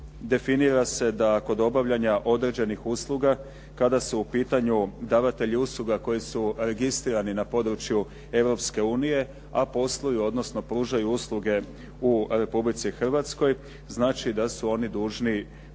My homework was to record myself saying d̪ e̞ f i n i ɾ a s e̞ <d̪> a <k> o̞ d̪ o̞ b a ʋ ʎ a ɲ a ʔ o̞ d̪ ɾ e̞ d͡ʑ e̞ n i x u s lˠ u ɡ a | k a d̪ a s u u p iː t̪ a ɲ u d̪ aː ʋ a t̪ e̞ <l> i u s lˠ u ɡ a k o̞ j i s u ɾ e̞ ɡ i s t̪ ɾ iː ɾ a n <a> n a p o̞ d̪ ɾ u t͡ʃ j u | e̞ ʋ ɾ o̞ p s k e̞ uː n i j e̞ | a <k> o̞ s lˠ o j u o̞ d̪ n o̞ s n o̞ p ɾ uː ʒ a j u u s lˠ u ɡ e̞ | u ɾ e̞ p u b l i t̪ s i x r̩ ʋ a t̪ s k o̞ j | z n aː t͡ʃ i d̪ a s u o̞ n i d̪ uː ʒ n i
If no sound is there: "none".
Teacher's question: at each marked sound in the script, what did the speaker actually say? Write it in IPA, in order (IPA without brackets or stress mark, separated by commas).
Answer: d̪, k, ʎ, i, p